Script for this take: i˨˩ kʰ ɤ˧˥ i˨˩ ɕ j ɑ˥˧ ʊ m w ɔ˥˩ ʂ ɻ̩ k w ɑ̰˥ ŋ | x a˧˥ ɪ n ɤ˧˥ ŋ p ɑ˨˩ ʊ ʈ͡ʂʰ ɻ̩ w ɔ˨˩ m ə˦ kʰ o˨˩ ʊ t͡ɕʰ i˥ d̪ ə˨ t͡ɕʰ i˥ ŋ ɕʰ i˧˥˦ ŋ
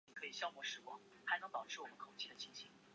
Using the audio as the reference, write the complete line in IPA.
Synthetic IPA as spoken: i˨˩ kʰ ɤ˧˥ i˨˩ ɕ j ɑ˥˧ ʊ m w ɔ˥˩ ʂ ɻ̩ k w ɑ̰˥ ŋ | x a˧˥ ɪ n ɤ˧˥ ŋ p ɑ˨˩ ʊ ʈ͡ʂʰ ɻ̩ w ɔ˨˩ m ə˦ kʰ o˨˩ ʊ t͡ɕʰ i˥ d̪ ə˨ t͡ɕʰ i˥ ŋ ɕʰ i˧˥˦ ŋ

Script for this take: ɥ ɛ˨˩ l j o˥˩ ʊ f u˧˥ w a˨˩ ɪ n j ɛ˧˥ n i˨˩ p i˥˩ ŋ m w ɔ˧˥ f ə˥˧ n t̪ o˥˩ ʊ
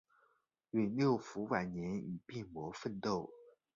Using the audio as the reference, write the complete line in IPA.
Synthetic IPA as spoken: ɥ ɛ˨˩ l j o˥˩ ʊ f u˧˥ w a˨˩ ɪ n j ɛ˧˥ n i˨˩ p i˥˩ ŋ m w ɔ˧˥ f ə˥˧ n t̪ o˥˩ ʊ

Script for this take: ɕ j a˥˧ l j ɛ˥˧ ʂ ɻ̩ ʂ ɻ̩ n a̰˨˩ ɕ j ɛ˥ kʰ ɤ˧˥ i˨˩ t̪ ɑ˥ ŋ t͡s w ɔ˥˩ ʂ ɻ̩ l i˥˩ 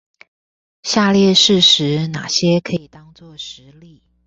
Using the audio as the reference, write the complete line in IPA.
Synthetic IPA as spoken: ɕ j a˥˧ l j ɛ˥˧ ʂ ɻ̩ ʂ ɻ̩ n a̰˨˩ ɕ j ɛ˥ kʰ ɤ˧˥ i˨˩ t̪ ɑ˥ ŋ t͡s w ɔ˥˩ ʂ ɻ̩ l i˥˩

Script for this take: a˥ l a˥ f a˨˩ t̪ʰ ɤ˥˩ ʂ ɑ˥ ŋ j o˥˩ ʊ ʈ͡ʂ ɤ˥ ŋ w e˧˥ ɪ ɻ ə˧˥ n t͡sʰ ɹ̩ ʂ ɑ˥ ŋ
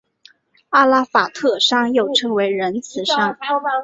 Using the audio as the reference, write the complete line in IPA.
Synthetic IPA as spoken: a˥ l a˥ f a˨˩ t̪ʰ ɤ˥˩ ʂ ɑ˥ ŋ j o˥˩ ʊ ʈ͡ʂʰ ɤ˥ ŋ w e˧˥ ɪ ɻ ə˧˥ n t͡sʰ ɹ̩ ʂ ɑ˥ ŋ

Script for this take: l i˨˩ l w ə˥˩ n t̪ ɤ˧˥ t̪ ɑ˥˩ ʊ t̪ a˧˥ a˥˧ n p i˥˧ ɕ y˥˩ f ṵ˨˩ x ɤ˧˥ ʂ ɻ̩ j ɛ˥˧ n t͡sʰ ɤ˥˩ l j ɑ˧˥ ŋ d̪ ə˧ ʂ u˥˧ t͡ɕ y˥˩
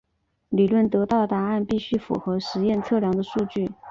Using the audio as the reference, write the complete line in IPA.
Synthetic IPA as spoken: l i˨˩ l w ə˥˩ n t̪ ɤ˧˥ t̪ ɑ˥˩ ʊ t̪ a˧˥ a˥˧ n p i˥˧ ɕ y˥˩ f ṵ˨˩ x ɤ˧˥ ʂ ɻ̩ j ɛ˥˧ n t͡sʰ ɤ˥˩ l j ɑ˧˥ ŋ d̪ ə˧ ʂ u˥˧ t͡ɕ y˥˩

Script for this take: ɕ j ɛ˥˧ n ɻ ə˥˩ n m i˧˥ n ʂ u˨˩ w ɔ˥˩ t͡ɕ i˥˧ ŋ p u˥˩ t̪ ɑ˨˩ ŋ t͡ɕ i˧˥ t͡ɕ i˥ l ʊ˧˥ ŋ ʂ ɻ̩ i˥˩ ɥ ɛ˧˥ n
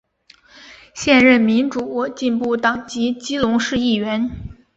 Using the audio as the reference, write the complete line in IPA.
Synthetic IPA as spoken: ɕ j ɛ˥˧ n ɻ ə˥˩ n m i˧˥ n ʈ͡ʂ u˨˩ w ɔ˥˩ t͡ɕ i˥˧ n p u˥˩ t̪ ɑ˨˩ ŋ t͡ɕ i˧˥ t͡ɕ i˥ l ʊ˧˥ ŋ ʂ ɻ̩ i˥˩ ɥ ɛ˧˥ n

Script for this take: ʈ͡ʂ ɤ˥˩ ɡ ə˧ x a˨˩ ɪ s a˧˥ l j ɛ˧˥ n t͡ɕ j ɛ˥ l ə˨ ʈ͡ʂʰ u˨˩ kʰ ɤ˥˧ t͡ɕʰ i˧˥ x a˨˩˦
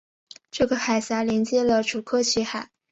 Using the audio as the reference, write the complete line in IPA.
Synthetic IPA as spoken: ʈ͡ʂ ɤ˥˩ ɡ ə˩ x a˨˩ ɪ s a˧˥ l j ɛ˧˥ n t͡ɕ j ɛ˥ l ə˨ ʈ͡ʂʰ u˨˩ kʰ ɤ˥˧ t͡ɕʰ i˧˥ x a˨˩˦

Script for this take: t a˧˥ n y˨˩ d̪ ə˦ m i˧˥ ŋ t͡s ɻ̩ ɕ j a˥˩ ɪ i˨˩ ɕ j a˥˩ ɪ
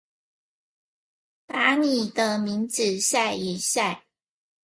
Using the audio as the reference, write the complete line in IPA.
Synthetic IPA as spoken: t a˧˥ n i˨˩ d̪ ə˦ m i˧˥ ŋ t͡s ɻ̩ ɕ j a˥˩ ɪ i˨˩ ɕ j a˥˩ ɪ

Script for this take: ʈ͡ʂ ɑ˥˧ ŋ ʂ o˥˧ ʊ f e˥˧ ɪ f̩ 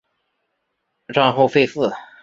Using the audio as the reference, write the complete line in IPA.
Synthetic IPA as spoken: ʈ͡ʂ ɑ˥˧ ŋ x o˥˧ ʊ f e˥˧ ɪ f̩

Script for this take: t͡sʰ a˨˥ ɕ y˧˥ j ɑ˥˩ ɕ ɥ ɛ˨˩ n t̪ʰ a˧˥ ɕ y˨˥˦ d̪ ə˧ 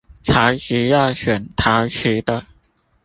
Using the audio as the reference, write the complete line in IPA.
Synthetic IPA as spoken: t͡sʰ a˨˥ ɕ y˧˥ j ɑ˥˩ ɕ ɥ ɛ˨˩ n t̪ʰ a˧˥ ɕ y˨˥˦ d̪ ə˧

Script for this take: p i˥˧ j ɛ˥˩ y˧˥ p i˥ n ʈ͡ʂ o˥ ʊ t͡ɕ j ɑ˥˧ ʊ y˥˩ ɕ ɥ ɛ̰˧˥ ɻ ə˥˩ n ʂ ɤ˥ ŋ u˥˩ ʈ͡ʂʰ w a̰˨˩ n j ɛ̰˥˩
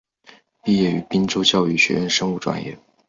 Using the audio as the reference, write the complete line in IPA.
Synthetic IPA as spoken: p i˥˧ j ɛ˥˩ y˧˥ p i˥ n ʈ͡ʂ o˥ ʊ t͡ɕ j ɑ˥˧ ʊ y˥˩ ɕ ɥ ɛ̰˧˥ ɻ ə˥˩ n ʂ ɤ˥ ŋ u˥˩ ʈ͡ʂ w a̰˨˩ n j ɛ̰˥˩

